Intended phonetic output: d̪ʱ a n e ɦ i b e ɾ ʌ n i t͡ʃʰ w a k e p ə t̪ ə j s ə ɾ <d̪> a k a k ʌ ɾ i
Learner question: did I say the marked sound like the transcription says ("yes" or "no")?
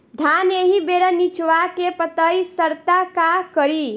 no